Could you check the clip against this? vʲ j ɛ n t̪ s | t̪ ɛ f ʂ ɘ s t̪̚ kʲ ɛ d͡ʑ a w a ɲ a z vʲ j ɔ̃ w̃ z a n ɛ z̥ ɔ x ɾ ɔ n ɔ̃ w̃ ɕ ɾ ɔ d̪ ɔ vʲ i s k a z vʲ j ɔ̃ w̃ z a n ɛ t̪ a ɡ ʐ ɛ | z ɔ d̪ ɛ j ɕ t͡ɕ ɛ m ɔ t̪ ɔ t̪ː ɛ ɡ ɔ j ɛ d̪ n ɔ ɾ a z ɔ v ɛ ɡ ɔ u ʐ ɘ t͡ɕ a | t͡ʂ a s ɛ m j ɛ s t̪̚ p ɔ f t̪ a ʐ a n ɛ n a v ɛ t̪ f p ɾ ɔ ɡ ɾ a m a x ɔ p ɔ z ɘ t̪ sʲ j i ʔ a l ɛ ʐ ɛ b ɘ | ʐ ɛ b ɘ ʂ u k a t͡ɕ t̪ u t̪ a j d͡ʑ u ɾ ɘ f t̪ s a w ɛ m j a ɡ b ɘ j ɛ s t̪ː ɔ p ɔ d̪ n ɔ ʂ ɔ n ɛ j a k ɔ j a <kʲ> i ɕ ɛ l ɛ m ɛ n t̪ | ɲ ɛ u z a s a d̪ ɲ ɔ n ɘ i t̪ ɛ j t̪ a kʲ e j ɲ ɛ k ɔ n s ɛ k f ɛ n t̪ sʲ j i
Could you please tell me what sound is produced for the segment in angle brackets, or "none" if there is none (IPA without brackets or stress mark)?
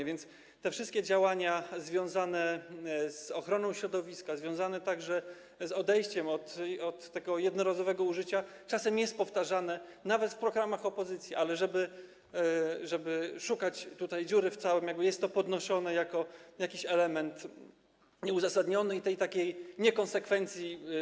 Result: kʲ